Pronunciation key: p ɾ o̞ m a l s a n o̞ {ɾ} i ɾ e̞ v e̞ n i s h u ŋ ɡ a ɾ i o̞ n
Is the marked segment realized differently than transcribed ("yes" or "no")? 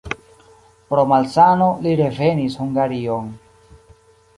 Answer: yes